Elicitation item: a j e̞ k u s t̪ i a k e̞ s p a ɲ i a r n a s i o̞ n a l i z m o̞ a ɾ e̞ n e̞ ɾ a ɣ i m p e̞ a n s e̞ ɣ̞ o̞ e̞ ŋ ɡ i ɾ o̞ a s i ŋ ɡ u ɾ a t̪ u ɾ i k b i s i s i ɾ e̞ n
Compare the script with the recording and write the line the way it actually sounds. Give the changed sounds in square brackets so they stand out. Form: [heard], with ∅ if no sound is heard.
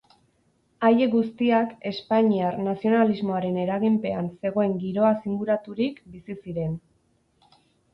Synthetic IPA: a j e̞ [ɡ] u s t̪ i a k e̞ s p a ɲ i a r n a s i o̞ n a l i z m o̞ a ɾ e̞ n e̞ ɾ a ɣ i m p e̞ a n s e̞ ɣ̞ o̞ e̞ ŋ ɡ i ɾ o̞ a s i ŋ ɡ u ɾ a t̪ u ɾ i k b i s i s i ɾ e̞ n